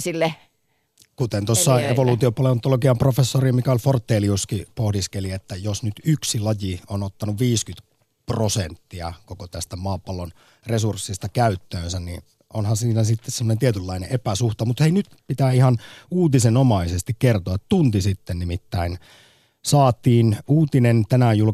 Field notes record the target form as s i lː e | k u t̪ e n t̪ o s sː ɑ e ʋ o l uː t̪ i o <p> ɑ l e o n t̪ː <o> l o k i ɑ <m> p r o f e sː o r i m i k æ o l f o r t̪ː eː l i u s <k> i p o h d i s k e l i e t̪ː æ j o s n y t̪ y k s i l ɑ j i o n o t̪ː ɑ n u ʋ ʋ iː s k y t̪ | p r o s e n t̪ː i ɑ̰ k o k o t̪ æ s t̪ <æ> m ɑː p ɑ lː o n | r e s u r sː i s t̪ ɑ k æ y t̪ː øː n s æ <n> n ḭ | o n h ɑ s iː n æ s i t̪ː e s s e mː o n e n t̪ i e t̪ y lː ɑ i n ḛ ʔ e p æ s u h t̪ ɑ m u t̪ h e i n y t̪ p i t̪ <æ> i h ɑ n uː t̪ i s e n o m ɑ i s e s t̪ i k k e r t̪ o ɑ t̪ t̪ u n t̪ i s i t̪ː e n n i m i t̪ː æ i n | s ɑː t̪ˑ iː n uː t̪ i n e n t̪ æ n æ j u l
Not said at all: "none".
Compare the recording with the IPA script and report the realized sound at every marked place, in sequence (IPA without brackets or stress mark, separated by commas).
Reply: p, o, m, k, æ, n, æː